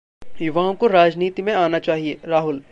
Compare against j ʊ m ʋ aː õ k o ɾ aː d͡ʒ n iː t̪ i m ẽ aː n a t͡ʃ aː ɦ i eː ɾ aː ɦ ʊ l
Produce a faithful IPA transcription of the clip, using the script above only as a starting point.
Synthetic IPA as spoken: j ʊ ʋ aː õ k o ɾ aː d͡ʒ n iː t̪ i m ẽ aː n a t͡ʃ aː ɦ i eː ɾ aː ɦ ʊ l